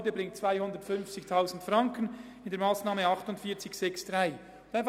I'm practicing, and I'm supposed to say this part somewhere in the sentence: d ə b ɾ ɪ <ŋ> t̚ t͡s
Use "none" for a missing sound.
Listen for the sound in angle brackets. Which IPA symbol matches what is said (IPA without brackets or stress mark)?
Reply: ŋ